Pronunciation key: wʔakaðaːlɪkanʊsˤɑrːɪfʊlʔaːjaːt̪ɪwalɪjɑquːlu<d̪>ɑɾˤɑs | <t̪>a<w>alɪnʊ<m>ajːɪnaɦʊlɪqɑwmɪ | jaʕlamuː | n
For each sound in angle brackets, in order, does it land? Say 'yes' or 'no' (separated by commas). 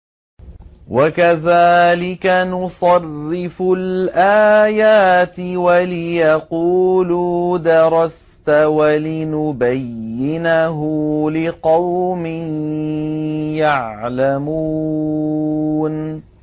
yes, yes, yes, no